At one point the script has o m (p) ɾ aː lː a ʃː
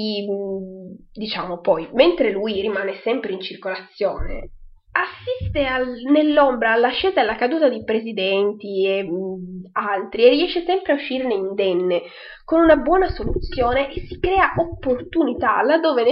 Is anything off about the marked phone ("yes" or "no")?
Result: yes